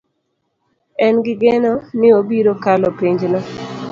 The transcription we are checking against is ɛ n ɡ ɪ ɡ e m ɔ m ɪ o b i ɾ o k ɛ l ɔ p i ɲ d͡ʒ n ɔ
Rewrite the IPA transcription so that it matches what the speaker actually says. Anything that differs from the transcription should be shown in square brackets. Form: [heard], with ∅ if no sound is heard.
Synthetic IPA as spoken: ɛ n ɡ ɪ ɡ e [n] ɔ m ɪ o b i ɾ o k [a] l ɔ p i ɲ d͡ʒ n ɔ

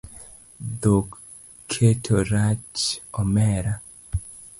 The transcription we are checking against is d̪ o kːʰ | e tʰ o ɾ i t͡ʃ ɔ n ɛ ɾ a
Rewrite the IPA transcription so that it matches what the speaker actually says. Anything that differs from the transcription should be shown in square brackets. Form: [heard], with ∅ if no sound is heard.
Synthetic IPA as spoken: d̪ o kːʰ | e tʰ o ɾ [a] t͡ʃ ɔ [m] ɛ ɾ a

